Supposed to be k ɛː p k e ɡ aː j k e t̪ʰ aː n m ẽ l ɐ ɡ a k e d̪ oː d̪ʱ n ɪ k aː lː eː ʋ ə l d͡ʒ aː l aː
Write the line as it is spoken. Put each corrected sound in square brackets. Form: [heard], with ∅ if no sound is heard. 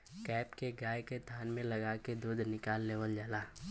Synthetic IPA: k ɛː p k e ɡ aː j k e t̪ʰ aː n m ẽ l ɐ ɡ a k e d̪ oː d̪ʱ n ɪ k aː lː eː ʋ ə l d͡ʒ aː l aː